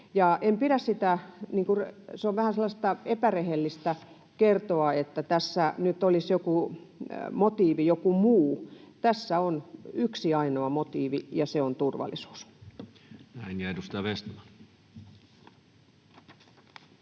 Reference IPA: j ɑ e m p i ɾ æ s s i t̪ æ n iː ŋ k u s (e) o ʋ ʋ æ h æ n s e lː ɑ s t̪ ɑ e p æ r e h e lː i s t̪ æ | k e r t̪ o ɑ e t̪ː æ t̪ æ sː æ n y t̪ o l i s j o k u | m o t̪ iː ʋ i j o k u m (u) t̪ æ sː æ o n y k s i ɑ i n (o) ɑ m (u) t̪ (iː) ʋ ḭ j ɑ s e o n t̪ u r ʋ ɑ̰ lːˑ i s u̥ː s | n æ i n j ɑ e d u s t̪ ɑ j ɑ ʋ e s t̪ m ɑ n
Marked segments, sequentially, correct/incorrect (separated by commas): correct, incorrect, correct, incorrect, correct